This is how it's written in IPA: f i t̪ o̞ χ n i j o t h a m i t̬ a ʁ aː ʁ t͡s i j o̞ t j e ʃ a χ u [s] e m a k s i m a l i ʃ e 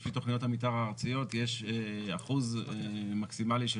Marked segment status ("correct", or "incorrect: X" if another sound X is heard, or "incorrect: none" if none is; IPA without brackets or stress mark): incorrect: z